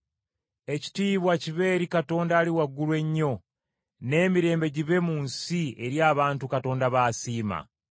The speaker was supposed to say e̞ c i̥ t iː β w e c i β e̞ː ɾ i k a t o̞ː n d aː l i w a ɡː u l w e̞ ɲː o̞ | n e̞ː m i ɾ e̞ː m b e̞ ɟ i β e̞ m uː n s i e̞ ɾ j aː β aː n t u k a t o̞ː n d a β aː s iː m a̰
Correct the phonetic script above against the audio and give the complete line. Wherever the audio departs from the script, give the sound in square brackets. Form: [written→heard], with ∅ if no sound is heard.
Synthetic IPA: e̞ c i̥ t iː β w [e→a] c i β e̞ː ɾ i k a t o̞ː n d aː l i w a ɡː u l w e̞ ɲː o̞ | n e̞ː m i ɾ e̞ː m b e̞ ɟ i β e̞ m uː n s i e̞ ɾ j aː β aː n t u k a t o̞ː n d a β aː s iː m a̰